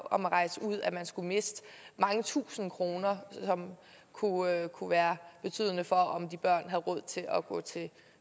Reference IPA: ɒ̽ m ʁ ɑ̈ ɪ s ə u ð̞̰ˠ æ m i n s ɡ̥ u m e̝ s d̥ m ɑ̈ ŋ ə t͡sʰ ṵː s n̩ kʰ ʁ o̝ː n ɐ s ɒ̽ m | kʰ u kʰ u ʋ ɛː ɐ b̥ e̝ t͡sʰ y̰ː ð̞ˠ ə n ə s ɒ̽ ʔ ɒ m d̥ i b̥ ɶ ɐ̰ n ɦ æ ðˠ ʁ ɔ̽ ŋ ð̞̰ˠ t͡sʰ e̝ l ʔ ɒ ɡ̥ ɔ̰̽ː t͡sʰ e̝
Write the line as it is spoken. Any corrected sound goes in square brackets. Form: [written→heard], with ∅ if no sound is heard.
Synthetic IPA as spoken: ɒ̽ m ʁ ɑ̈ ɪ s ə u ð̞̰ˠ æ m [i→æ] n s ɡ̥ u m e̝ s d̥ m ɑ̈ ŋ ə t͡sʰ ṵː s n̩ kʰ ʁ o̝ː n ɐ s ɒ̽ m | kʰ u kʰ u ʋ [ɛː→æː] ɐ b̥ e̝ t͡sʰ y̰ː ð̞ˠ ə n ə [s→f] ɒ̽ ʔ ɒ m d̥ i b̥ ɶ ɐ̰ n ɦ æ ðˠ ʁ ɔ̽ [ŋ→∅] ð̞̰ˠ t͡sʰ e̝ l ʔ ɒ ɡ̥ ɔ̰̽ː t͡sʰ e̝